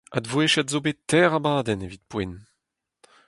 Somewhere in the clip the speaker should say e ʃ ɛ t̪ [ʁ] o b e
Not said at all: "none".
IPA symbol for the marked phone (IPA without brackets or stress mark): z